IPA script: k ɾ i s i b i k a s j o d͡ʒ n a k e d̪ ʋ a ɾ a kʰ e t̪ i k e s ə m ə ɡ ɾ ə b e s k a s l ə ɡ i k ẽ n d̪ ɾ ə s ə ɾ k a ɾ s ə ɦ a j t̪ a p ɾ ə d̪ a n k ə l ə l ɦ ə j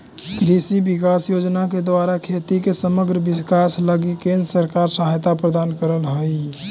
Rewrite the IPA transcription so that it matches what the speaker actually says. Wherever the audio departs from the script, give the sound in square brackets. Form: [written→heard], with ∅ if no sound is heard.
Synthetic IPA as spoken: k ɾ i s i b i k a s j o d͡ʒ n a k e d̪ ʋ a ɾ a kʰ e t̪ i k e s ə m ə ɡ ɾ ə b [e→i] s k a s l ə ɡ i k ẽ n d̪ ɾ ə s ə ɾ k a ɾ s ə ɦ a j t̪ a p ɾ ə d̪ a n k ə [l→ɾ] ə l ɦ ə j